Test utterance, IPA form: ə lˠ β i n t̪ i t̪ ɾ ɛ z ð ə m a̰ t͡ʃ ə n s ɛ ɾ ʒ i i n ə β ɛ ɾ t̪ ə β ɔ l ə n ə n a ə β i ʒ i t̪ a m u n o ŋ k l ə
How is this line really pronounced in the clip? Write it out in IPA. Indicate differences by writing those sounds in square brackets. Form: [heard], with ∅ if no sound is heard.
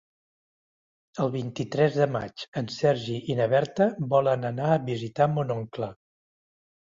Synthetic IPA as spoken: ə lˠ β i n t̪ i t̪ ɾ ɛ z ð ə m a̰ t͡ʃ ə n s ɛ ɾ ʒ i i n ə β ɛ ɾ t̪ ə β ɔ l ə n ə n a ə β i [z] i t̪ a m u n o ŋ k l ə